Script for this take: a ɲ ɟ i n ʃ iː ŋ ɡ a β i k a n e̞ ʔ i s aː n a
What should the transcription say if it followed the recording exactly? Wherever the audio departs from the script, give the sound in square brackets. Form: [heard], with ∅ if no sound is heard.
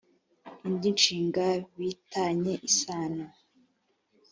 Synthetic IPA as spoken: [i] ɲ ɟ i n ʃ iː ŋ ɡ a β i [t] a [ɲ] e̞ ʔ i s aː n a